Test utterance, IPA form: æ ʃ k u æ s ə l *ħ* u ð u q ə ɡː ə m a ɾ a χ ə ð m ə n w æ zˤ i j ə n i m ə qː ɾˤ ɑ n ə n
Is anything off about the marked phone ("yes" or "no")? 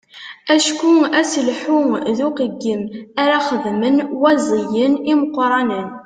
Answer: no